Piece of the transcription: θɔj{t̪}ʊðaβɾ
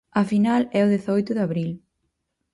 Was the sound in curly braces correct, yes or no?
yes